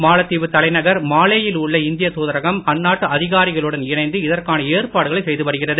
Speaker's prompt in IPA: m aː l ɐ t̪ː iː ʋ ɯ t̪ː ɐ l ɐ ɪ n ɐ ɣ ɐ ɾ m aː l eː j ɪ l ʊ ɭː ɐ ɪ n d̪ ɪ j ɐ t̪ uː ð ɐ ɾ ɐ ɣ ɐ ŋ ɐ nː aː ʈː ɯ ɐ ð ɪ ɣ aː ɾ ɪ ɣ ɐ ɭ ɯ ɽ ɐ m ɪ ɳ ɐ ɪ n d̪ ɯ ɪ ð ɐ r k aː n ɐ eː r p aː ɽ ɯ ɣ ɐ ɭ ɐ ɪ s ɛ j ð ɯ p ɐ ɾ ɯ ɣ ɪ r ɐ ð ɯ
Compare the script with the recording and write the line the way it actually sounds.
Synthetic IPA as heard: m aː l ɐ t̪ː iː ʋ ɯ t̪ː ɐ l ɐ ɪ n ɐ ɣ ɐ ɾ m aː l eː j ɪ l ʊ ɭː ɐ ɪ n d̪ ɪ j ɐ t̪ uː ð ɐ ɾ ɐ ɣ ɐ m ɐ nː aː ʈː ɯ ɐ ð ɪ ɣ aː ɾ ɪ ɣ ɐ ɭ ɯ ɽ ɐ n ɪ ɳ ɐ ɪ n d̪ ɯ ɪ ð ɐ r k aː n ɐ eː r p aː ɽ ɯ ɣ ɐ ɭ ɐ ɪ s ɛ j ð ɯ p ɐ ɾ ɯ ɣ ɪ r ɐ ð ɯ